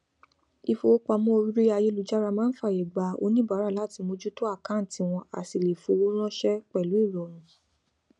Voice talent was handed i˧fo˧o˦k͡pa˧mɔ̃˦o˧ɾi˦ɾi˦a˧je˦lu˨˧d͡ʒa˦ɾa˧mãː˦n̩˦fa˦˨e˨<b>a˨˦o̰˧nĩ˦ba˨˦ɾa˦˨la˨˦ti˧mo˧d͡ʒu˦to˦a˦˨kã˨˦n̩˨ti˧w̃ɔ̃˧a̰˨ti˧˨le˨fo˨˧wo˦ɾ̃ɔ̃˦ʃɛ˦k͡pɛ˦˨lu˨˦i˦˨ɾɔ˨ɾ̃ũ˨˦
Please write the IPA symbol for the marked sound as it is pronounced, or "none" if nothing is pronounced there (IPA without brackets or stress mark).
ɡ͡b